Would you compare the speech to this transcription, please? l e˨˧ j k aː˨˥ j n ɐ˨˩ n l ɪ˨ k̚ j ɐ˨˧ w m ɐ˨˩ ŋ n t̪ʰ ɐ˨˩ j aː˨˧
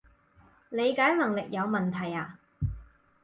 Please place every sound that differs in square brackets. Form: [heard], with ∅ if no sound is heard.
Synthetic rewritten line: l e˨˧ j k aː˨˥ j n ɐ˨˩ [ŋ] l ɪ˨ k̚ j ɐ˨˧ w m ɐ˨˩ [∅] n t̪ʰ ɐ˨˩ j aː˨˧